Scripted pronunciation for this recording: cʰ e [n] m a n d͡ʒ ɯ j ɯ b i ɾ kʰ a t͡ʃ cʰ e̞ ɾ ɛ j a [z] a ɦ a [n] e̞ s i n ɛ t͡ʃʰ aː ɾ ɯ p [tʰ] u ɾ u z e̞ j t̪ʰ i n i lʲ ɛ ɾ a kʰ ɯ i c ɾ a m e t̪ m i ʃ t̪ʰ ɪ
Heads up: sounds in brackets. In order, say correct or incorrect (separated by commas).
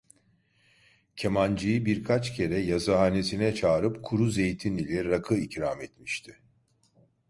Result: incorrect, correct, correct, incorrect